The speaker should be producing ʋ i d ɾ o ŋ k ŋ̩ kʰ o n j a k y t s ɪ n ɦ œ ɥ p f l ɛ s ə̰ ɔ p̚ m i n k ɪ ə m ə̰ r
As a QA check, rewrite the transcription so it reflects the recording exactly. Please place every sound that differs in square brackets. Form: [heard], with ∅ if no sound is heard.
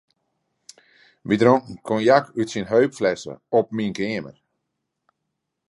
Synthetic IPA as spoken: ʋ i d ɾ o ŋ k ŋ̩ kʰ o n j a k y t s [i] n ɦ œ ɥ p f l ɛ s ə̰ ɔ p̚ m i n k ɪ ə m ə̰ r